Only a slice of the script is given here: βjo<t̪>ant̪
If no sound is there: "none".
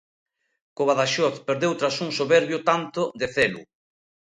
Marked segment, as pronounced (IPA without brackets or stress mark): t̪